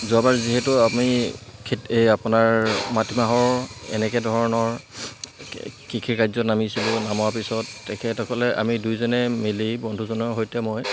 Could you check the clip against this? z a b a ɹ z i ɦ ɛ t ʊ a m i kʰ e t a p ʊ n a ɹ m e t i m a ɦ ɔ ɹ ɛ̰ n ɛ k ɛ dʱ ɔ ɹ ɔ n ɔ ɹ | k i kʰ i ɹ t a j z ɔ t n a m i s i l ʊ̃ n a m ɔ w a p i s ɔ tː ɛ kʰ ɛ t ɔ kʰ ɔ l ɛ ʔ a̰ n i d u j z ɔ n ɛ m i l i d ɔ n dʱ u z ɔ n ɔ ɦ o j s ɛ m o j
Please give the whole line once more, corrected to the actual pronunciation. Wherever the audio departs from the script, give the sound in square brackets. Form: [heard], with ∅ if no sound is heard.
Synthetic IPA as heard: z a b a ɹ z i ɦ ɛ t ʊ a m i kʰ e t a p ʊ n a ɹ m [a] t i m a ɦ ɔ ɹ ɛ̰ n ɛ k ɛ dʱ ɔ ɹ ɔ n ɔ ɹ | k i kʰ i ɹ [k] a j z ɔ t n a m i s i l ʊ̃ n a m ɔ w a p i s ɔ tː ɛ kʰ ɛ t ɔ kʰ ɔ l ɛ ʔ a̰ [m] i d u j z ɔ n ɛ m i l i [b] ɔ n dʱ u z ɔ n ɔ ɦ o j [t] ɛ m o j